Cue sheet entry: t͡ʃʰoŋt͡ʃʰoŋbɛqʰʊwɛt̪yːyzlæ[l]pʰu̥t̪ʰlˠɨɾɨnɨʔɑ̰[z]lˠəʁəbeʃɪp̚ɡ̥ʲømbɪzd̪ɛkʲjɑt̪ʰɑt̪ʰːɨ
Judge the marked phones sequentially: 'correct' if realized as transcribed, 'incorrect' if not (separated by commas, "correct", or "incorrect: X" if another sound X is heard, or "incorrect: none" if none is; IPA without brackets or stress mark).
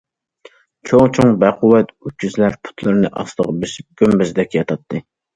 incorrect: ɾ, incorrect: s